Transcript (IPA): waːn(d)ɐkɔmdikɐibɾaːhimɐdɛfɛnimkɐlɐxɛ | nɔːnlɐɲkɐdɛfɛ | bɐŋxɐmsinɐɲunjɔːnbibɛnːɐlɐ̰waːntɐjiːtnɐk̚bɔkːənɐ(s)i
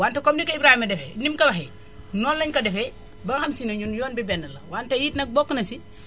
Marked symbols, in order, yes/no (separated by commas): no, yes